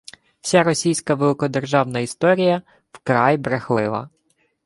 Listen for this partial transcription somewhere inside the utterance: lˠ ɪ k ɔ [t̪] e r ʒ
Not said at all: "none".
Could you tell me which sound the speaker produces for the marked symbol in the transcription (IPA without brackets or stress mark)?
d̪